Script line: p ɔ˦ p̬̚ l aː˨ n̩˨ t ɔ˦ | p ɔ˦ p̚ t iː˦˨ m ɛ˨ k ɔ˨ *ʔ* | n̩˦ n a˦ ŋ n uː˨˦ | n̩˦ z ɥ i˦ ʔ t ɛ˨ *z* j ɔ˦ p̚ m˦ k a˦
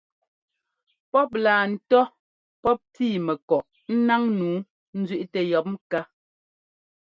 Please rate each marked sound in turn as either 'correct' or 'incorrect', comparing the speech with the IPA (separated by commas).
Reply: correct, incorrect